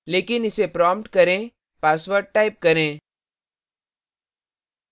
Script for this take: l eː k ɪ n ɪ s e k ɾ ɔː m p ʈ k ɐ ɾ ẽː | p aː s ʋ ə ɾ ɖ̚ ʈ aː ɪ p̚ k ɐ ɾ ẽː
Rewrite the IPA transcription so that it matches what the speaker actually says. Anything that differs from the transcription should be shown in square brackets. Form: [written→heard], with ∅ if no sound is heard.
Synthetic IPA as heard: l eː k ɪ n ɪ s e [k→p] ɾ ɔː m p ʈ k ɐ ɾ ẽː | p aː s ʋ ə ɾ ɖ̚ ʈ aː ɪ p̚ k ɐ ɾ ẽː